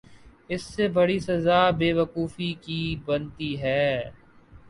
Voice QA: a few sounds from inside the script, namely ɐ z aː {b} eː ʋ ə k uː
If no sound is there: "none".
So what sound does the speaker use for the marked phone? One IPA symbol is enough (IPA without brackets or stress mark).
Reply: b